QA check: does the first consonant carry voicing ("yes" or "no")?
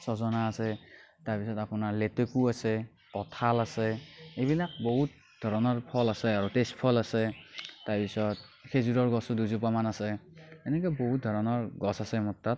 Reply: no